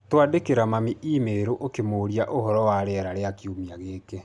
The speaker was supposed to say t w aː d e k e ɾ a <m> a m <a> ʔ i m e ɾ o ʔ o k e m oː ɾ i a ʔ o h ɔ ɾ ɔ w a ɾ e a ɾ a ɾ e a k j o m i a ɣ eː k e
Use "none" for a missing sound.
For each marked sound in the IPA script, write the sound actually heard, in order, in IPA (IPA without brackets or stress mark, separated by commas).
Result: m, i